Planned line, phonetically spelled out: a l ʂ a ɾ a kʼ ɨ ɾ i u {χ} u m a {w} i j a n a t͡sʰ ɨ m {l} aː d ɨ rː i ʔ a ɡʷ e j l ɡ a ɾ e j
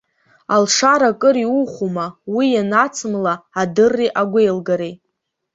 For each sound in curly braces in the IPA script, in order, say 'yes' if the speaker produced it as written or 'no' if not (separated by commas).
yes, yes, yes